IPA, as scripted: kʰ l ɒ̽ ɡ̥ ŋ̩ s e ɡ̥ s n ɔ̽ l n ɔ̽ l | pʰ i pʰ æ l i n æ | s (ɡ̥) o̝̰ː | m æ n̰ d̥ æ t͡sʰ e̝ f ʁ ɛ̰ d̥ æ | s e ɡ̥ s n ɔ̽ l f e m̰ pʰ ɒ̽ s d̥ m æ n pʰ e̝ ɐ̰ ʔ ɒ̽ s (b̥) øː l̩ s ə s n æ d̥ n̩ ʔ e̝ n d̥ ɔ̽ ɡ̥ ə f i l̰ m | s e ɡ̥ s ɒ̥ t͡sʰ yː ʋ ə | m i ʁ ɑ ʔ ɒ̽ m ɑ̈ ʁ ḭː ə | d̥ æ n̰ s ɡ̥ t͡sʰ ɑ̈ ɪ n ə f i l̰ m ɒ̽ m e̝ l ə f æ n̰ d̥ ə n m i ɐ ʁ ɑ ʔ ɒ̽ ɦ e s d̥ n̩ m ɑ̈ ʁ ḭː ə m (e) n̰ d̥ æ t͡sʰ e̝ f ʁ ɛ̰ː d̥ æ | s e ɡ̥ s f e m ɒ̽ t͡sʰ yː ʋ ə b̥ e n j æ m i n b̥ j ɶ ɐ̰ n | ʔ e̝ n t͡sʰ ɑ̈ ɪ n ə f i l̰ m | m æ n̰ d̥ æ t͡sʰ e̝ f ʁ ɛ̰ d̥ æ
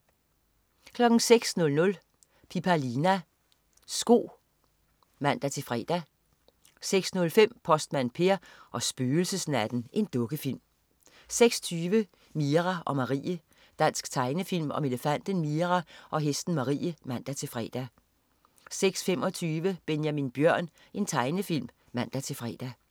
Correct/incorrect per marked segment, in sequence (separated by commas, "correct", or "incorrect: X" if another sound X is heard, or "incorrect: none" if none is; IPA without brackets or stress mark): correct, correct, incorrect: æ